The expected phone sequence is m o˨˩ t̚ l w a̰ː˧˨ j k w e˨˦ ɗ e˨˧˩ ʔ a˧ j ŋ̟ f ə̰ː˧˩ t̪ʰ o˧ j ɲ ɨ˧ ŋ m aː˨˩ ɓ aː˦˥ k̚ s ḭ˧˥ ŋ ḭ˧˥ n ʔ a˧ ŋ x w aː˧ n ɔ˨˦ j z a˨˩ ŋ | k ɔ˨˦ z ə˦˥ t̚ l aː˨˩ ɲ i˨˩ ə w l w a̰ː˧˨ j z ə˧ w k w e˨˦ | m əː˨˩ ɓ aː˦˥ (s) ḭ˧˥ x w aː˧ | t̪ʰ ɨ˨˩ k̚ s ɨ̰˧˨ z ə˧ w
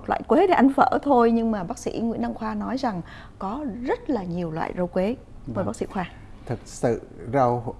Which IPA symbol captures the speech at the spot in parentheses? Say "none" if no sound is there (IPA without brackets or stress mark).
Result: s